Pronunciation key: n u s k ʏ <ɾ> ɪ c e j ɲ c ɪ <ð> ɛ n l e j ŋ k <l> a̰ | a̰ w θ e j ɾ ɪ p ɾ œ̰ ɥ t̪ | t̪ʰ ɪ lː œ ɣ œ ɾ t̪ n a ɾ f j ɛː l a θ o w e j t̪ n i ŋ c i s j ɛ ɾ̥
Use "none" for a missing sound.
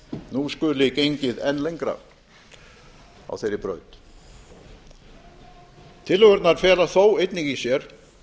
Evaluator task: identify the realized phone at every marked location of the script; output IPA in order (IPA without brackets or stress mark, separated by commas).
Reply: l, ð, ɾ